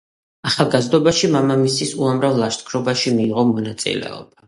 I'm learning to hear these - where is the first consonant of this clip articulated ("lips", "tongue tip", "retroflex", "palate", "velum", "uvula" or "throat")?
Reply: uvula